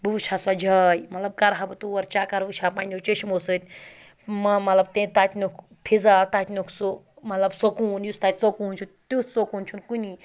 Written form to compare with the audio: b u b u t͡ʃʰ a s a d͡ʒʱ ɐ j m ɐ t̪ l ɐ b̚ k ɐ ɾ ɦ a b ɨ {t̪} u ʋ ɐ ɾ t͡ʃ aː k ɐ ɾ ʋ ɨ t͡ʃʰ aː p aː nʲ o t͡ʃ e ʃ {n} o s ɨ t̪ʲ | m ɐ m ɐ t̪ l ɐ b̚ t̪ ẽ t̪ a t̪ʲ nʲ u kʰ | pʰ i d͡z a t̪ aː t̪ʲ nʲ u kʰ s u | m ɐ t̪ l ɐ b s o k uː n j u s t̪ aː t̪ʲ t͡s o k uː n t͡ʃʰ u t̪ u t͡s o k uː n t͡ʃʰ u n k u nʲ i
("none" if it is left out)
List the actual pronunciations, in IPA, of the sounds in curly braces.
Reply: t̪, m

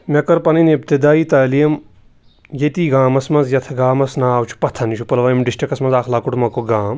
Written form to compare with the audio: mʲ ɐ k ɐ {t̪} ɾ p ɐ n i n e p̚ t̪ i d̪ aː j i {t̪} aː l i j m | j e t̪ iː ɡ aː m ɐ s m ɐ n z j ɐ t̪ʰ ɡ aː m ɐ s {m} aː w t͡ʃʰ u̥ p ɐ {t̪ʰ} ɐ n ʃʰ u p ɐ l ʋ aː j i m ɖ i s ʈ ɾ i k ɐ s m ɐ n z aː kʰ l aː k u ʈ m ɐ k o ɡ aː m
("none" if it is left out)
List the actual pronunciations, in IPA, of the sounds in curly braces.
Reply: none, t̪, n, t̪ʰ

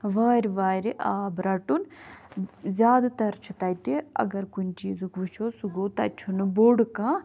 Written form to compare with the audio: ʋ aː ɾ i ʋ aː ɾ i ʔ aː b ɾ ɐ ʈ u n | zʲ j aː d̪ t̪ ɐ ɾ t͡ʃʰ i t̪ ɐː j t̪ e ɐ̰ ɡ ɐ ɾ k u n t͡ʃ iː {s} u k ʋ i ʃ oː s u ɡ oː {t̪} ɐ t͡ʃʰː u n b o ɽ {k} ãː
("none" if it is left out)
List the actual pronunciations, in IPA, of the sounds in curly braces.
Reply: z, t̪, k

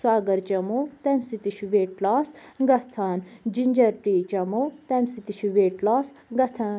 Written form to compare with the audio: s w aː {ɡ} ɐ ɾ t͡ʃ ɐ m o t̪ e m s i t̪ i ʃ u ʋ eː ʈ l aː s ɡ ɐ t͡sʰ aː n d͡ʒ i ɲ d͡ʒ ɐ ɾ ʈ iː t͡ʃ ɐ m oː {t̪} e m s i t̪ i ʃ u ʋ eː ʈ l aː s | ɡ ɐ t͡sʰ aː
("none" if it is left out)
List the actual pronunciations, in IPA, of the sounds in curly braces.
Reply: ɡ, t̪

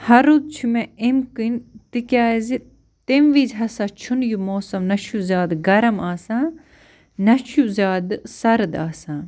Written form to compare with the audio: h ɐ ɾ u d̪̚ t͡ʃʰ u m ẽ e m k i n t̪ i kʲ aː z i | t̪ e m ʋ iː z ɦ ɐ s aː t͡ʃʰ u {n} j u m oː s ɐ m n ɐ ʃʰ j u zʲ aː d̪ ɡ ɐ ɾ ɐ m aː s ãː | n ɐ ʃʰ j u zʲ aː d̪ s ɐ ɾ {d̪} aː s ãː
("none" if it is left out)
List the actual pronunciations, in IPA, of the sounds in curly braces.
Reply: n, d̪

